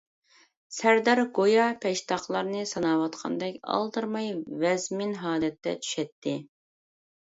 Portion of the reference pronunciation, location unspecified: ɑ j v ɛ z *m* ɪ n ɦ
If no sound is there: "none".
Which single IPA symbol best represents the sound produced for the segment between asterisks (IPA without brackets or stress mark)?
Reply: m